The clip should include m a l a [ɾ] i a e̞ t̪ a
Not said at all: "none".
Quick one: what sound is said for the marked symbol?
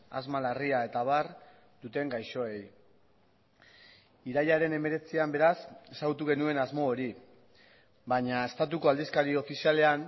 r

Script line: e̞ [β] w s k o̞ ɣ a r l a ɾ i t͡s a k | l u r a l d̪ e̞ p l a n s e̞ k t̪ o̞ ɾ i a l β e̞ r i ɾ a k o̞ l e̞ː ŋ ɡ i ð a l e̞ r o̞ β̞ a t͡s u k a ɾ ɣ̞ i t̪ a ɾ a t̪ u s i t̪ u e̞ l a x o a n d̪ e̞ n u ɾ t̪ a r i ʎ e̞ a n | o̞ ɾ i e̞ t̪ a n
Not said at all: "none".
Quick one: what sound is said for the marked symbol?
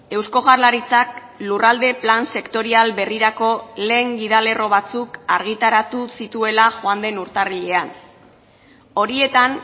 none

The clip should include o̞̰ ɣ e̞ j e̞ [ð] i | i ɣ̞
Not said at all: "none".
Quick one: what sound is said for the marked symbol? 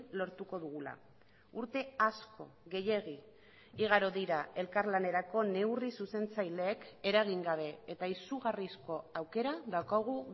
ɣ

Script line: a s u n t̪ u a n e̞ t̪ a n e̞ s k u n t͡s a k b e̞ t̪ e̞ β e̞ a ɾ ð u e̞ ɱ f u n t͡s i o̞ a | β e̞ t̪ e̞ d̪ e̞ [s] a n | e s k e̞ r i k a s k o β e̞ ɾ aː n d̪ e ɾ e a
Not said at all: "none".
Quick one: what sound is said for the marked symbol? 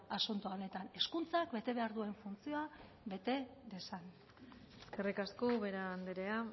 s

